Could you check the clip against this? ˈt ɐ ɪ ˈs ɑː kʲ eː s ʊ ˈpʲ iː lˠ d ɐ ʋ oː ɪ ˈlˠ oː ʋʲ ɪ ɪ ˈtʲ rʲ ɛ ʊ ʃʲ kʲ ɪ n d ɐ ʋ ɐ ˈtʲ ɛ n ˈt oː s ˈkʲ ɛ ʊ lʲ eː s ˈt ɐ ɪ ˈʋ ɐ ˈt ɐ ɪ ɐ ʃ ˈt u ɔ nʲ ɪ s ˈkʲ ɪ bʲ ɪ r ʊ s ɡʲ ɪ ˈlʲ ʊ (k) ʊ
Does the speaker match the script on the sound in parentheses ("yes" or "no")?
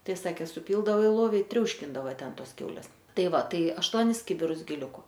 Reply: yes